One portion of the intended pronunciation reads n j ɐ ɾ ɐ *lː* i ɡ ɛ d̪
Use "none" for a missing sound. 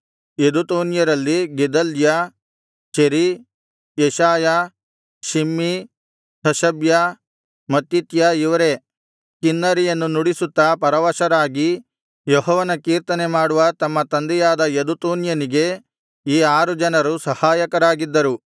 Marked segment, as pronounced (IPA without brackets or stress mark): lː